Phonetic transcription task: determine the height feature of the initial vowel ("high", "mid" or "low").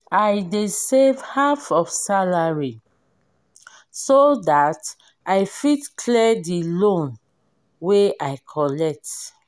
low